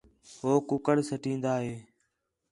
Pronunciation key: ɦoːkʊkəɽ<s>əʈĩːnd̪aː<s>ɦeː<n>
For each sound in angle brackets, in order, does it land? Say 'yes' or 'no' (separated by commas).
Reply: yes, no, no